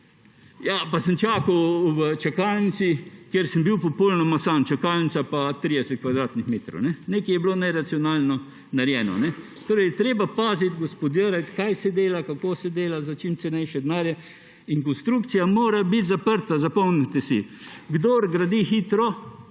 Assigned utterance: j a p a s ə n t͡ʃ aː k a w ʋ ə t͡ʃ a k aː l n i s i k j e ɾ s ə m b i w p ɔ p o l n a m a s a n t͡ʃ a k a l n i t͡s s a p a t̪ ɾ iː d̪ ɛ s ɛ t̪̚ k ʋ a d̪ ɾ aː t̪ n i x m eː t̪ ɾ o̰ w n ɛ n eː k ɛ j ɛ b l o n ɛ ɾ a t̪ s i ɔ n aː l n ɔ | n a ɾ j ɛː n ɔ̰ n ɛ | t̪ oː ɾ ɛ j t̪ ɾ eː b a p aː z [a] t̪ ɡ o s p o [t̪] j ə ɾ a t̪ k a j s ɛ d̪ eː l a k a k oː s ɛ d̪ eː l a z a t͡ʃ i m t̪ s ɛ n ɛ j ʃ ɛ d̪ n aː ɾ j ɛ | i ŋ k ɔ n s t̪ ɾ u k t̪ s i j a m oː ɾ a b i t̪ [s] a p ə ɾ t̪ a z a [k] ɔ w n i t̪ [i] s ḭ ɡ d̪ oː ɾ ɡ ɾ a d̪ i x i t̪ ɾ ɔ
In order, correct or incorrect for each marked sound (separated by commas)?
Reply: incorrect, incorrect, incorrect, incorrect, incorrect